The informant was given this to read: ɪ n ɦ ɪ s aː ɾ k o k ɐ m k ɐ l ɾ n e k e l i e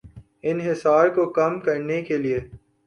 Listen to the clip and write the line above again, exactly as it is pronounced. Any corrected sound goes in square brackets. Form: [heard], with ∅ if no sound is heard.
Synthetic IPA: ɪ n ɦ ɪ s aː ɾ k o k ɐ m k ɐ [∅] ɾ n e k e l i e